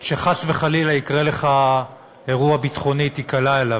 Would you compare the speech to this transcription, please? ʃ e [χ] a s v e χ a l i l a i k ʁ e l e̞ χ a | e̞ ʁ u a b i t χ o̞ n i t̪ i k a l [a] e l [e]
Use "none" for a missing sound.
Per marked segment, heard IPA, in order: χ, a, a

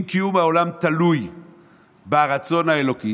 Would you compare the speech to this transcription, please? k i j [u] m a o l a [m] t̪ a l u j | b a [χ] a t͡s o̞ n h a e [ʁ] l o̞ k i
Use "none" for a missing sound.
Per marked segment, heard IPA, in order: u, m, ʁ, none

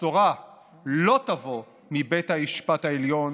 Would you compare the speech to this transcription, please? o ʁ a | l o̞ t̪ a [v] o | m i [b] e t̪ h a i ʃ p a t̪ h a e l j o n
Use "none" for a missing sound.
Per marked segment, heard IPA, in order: v, b

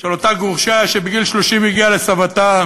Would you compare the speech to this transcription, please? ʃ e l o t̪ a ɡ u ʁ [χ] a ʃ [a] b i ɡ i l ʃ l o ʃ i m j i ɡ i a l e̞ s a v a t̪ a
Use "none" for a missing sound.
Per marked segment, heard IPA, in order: ʃ, e

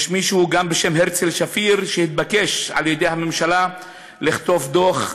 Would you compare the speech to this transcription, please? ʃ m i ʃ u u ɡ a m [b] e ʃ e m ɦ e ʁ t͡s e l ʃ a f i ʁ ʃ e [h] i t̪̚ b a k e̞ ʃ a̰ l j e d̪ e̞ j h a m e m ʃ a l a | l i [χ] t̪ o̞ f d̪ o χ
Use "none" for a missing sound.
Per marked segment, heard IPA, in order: b, h, χ

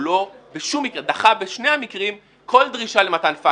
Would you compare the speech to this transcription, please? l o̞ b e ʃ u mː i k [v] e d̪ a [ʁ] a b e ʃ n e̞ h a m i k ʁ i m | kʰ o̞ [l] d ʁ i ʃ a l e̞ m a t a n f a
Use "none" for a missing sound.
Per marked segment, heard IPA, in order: ʁ, χ, l

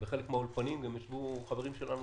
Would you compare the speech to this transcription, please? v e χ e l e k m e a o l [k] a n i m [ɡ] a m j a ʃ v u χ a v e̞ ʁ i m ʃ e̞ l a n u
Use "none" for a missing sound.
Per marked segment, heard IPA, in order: p, ɡ

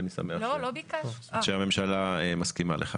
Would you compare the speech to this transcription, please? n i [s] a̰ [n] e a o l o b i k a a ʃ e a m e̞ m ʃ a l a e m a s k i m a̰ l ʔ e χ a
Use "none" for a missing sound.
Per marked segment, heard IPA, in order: s, m

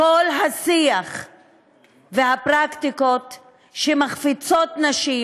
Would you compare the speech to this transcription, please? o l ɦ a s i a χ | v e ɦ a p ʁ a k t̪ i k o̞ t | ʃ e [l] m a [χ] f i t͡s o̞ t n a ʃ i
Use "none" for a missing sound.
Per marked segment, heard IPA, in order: none, χ

